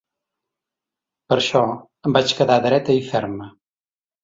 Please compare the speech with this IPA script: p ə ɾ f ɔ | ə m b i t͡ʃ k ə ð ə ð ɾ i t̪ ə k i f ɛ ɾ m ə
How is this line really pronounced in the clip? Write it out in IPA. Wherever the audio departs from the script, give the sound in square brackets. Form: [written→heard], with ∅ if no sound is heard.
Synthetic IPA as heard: p ə ɾ [f→ʃ] ɔ | ə m b [i→a] t͡ʃ k ə ð [ə→a] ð ɾ [i→ɛ] t̪ ə [k→∅] i f ɛ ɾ m ə